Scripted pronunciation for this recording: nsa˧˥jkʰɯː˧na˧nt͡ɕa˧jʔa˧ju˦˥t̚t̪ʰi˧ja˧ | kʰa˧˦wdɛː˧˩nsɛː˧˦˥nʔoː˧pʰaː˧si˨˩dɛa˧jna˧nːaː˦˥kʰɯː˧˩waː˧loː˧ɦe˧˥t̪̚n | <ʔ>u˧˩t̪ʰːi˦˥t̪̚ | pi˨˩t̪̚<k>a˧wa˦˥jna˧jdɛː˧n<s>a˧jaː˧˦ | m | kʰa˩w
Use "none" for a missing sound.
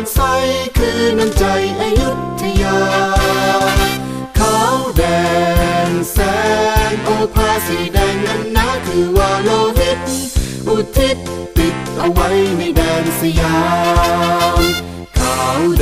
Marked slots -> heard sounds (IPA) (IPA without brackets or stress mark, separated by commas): ʔ, ʔ, s